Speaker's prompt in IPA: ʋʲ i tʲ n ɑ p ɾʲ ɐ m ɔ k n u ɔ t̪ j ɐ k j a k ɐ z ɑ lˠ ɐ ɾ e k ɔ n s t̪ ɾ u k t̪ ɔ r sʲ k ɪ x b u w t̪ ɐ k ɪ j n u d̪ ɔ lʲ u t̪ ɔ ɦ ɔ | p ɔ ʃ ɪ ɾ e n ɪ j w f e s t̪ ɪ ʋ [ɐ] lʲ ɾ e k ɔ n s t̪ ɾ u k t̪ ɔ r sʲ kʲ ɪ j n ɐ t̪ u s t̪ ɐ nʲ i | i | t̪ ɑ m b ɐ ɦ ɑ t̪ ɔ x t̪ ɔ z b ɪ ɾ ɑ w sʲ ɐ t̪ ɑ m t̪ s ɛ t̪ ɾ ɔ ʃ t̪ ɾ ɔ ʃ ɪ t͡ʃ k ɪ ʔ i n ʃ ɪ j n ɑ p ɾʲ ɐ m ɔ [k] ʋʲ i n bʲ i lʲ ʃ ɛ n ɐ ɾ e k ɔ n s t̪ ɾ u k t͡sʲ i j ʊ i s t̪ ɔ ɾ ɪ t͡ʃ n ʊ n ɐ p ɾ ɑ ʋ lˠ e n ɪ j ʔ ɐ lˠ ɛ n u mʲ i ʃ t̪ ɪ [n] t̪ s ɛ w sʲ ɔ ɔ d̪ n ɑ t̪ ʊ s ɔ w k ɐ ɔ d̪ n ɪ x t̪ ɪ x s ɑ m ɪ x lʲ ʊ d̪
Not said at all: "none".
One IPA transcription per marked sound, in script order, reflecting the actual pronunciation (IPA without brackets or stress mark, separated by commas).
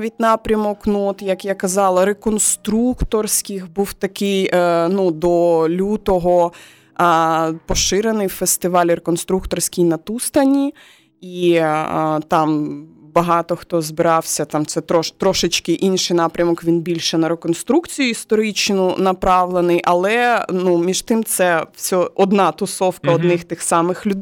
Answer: ɑ, k, m